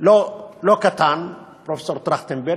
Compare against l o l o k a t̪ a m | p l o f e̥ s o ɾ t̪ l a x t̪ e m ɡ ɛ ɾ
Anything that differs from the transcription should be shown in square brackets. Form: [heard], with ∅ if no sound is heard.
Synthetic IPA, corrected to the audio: l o l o k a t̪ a [n] | p [ɾ] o f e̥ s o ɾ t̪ [ɾ] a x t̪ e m [b] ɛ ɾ